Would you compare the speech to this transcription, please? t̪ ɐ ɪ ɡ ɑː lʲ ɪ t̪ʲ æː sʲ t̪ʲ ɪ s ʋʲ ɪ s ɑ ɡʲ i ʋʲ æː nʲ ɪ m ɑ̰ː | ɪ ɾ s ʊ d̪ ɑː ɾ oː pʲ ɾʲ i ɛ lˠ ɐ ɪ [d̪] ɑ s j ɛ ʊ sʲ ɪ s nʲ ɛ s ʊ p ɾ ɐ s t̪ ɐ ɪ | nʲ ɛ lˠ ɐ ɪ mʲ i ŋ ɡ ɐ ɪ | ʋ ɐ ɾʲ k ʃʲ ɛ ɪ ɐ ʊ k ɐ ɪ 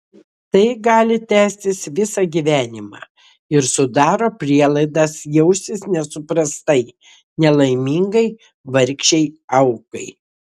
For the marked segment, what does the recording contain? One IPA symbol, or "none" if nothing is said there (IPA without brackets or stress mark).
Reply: d̪